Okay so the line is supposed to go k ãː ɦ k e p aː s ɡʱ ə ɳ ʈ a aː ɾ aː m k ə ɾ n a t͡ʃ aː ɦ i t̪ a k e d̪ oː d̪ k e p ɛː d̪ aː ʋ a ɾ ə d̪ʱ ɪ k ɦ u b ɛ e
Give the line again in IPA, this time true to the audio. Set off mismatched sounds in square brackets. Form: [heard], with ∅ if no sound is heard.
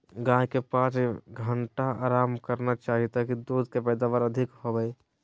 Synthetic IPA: [ɡ] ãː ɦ k e p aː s ɡʱ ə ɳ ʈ a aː ɾ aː m k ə ɾ n a t͡ʃ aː ɦ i t̪ a k [i] d̪ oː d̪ k e p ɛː d̪ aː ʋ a ɾ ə d̪ʱ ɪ k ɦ [o] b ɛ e